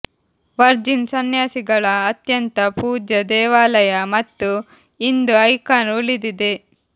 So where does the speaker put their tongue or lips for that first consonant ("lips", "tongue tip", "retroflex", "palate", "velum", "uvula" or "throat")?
lips